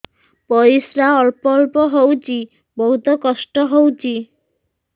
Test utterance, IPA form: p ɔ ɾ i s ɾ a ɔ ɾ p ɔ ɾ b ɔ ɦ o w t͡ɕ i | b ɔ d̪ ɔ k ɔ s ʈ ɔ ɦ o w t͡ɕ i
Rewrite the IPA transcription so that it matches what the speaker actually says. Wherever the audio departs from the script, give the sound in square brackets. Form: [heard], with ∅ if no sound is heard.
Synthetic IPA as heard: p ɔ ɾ i s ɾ a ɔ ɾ p ɔ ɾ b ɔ ɦ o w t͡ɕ i | b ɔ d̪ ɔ k ɔ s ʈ ɔ ɦ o w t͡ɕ i